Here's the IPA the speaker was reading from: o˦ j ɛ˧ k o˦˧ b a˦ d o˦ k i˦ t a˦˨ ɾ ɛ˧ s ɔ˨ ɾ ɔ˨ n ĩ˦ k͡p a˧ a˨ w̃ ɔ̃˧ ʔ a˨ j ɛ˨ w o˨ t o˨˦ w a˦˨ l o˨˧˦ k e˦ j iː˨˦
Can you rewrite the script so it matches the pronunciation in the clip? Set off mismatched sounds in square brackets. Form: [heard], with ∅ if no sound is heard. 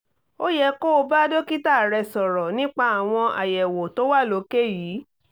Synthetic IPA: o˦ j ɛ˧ k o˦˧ b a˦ d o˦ k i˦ t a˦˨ ɾ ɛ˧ s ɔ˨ ɾ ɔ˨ n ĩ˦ k͡p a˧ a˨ w̃ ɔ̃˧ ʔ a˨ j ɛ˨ w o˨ t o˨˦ w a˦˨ l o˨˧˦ k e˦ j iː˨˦